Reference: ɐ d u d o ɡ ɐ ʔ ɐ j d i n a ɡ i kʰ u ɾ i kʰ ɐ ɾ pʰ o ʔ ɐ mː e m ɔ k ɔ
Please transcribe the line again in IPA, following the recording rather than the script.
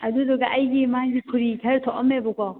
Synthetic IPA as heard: ɐ d u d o ɡ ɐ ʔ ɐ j ɡ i m a ɡ i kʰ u ɾ i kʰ ɐ ɾ tʰ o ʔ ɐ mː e b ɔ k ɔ